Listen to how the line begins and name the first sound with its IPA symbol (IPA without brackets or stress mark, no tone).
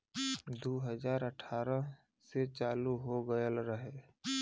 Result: d̪